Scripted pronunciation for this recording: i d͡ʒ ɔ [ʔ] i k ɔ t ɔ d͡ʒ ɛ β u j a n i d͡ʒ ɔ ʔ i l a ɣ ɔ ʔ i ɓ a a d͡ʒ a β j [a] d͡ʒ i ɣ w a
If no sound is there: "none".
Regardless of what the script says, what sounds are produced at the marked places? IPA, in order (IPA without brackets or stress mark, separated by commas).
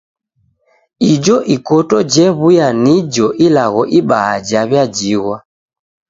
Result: ʔ, a